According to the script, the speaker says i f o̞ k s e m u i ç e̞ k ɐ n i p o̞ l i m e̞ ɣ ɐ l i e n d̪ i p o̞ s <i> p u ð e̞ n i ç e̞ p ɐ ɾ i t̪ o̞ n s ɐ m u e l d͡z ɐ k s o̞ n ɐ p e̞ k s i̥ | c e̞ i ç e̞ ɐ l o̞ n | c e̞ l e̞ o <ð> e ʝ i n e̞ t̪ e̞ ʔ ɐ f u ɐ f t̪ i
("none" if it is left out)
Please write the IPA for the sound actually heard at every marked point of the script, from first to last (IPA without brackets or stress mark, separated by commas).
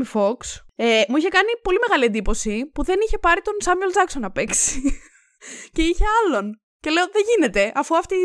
i, ð